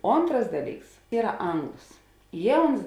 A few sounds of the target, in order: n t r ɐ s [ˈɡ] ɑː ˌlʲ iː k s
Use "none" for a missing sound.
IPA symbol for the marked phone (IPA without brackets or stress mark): d